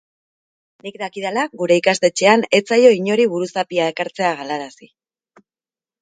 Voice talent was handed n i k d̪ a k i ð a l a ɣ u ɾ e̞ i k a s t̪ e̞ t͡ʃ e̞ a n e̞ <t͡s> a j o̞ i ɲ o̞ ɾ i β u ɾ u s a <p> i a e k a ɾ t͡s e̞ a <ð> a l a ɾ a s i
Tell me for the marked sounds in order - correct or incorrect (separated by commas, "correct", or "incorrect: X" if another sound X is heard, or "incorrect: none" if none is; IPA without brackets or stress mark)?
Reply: correct, correct, incorrect: ɣ